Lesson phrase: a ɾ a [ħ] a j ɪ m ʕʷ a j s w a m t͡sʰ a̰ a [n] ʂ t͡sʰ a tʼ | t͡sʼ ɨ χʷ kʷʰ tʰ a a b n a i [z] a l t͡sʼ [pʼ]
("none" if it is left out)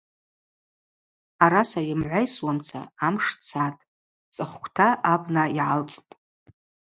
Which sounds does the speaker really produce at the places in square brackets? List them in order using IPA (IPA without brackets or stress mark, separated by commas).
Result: s, m, ʕ, tʼ